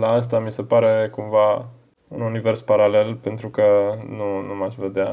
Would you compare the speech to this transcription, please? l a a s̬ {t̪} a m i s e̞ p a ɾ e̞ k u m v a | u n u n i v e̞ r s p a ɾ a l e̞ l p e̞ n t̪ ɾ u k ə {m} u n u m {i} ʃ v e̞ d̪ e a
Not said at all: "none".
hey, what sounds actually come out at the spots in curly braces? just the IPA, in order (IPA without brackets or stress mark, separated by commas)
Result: t̪, n, a